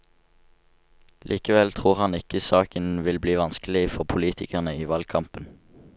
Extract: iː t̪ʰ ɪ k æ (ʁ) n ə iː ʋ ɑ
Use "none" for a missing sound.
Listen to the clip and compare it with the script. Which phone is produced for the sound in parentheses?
ʁ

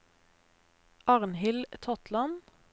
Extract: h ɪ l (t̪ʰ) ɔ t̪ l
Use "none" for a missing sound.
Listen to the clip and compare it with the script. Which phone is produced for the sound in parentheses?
t̪ʰ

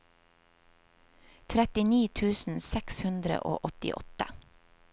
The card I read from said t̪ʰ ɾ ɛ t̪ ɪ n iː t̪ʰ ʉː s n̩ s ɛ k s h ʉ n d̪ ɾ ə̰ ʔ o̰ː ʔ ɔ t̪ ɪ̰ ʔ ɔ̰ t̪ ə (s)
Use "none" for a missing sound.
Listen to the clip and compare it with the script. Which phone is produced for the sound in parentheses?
none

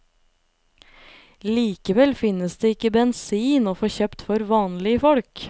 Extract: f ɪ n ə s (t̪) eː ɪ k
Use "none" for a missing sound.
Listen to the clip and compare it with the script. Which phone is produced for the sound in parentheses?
d̪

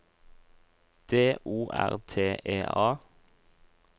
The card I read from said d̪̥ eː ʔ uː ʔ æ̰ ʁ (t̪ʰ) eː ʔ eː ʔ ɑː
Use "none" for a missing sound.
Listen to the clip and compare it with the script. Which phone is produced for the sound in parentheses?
t̪ʰ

